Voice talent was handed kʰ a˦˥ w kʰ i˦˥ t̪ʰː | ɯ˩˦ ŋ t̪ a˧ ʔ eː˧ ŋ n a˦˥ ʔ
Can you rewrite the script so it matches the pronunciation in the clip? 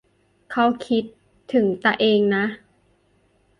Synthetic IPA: kʰ a˦˥ w kʰ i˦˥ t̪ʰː | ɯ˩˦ ŋ t̪ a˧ ʔ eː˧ ŋ n a˦˥ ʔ

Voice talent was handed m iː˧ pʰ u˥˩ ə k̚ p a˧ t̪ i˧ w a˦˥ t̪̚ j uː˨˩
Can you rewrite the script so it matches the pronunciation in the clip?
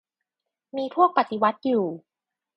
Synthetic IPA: m iː˧ pʰ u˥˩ ə k̚ p a˨˩ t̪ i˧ w a˦˥ t̪̚ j uː˨˩

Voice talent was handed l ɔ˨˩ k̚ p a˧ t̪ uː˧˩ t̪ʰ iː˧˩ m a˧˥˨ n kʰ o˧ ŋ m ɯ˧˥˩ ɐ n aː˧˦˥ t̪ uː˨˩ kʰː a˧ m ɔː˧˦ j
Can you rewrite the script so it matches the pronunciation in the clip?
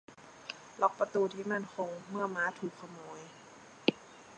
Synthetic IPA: l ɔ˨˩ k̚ p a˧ t̪ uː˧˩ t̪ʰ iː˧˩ m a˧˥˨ n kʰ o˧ ŋ m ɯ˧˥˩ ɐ m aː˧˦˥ t̪ʰ uː˨˩ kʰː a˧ m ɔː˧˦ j

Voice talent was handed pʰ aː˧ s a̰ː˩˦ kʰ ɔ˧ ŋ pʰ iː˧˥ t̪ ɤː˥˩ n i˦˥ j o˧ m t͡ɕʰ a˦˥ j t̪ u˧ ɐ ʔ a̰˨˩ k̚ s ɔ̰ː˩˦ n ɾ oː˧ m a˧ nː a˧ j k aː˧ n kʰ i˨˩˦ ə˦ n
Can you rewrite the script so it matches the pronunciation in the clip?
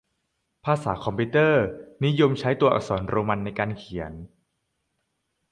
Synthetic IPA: pʰ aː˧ s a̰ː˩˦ kʰ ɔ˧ m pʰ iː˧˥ t̪ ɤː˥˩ n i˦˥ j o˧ m t͡ɕʰ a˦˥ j t̪ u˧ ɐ ʔ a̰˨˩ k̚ s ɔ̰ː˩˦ n ɾ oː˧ m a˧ nː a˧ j k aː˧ n kʰ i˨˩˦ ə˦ n

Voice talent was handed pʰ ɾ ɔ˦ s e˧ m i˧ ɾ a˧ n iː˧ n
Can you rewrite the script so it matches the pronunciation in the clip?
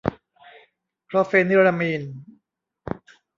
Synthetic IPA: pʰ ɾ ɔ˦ f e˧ n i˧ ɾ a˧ m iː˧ n

